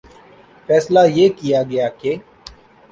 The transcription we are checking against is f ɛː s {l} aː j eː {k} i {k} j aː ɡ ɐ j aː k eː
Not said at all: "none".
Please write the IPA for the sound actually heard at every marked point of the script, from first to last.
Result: l, k, none

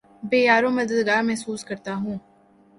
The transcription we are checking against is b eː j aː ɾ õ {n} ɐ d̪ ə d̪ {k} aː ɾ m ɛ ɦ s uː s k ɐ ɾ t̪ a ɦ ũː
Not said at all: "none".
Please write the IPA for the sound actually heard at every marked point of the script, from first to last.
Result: m, ɡ

